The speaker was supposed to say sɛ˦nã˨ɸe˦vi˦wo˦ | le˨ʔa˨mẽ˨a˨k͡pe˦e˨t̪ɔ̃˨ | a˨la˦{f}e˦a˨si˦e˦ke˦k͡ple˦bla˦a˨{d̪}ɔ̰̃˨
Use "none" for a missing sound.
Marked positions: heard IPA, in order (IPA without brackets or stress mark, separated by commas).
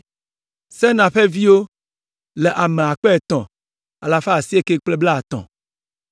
f, t̪